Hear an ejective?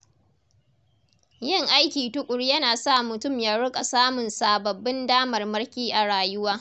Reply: yes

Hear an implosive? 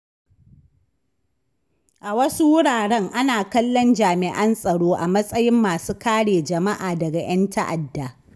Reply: no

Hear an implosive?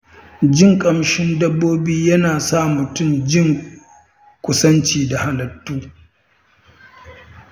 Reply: no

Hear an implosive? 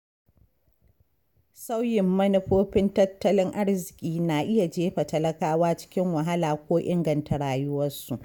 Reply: no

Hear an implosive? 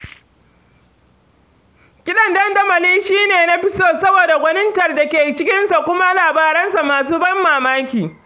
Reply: yes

